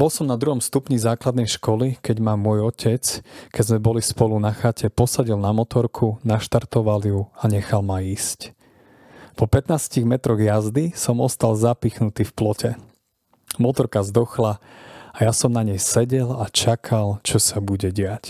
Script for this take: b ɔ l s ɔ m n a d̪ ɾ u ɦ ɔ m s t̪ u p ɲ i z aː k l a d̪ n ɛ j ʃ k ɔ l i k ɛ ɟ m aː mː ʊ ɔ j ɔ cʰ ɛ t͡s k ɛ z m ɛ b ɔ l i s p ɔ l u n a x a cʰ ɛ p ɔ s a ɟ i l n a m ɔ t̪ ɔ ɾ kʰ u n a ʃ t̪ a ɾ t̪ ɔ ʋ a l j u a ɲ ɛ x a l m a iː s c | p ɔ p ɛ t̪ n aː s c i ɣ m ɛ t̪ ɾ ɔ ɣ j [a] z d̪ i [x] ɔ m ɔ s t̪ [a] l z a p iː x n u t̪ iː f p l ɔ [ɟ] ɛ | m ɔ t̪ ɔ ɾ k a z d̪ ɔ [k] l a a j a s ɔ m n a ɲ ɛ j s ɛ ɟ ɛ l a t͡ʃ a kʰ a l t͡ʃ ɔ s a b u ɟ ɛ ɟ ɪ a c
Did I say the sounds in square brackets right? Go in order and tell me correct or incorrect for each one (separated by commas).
correct, incorrect, correct, incorrect, incorrect